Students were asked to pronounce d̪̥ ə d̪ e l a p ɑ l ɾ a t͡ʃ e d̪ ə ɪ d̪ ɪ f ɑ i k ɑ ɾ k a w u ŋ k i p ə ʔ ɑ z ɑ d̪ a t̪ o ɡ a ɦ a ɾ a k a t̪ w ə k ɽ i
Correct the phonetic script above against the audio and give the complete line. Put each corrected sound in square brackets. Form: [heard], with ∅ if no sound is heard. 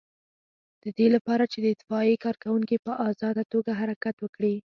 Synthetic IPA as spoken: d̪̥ ə d̪ e l a p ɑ [∅] ɾ a t͡ʃ e d̪ ə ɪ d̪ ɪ f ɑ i k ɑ ɾ k a w u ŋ k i p ə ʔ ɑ z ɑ d̪ a t̪ o ɡ a ɦ a ɾ a k a t̪ w ə k ɽ i